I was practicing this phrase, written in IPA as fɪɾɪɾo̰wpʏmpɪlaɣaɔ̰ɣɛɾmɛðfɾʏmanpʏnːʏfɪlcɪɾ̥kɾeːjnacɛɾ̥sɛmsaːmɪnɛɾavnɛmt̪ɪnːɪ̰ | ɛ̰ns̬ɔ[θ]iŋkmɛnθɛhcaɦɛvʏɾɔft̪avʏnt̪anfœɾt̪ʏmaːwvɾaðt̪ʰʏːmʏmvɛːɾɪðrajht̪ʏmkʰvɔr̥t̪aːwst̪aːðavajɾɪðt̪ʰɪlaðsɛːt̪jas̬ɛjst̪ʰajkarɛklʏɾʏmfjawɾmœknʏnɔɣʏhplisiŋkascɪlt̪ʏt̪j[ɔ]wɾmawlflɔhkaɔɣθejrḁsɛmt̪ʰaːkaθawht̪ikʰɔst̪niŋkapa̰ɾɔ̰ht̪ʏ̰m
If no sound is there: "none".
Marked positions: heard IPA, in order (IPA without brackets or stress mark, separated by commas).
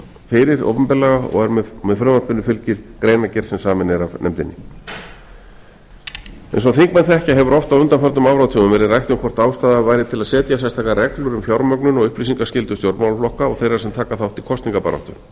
θ, o